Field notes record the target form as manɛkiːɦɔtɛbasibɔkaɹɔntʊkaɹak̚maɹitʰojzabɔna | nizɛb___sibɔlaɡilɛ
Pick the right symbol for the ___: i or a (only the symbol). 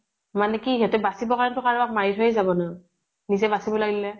a